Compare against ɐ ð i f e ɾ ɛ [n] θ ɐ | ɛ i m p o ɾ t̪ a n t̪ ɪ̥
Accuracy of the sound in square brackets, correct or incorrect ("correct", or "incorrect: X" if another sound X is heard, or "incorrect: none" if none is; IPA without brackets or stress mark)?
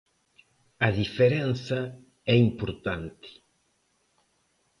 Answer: correct